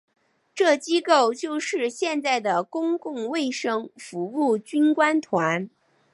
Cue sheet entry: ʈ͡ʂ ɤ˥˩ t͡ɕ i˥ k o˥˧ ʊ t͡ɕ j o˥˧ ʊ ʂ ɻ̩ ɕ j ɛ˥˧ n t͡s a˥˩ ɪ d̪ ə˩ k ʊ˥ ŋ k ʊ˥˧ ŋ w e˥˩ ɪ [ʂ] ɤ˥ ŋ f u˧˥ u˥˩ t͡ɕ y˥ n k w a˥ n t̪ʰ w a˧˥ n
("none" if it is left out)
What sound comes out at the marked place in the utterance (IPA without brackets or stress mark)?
ʂ